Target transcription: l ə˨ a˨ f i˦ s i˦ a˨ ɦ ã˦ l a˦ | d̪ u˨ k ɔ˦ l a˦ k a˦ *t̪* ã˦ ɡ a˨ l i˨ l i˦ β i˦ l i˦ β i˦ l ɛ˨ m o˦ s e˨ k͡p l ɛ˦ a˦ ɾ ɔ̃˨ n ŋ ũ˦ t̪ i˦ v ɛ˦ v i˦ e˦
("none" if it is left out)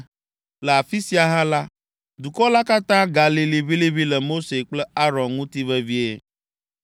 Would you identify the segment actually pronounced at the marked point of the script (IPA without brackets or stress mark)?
t̪